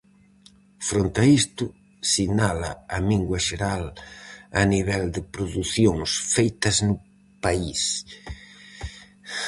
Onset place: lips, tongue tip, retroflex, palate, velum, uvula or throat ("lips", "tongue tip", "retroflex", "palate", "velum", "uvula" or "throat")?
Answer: lips